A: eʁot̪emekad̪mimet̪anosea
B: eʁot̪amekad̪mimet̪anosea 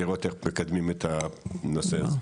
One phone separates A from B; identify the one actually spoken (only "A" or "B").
A